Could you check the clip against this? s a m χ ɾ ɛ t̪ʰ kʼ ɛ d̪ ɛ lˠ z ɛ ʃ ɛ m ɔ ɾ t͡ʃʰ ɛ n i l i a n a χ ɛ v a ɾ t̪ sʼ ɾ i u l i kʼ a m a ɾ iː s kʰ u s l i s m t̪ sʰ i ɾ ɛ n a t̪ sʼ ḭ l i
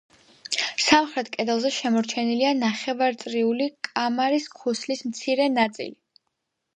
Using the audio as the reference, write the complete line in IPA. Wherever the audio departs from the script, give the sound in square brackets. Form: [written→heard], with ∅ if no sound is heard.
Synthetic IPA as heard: s a m χ ɾ ɛ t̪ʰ kʼ ɛ d̪ ɛ lˠ z ɛ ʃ ɛ m ɔ ɾ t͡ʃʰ ɛ n i l i a n a χ ɛ v a ɾ t̪ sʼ ɾ i u l i kʼ a m a ɾ [iː→i] s kʰ u s l i s m t̪ sʰ i ɾ ɛ n a t̪ sʼ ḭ l i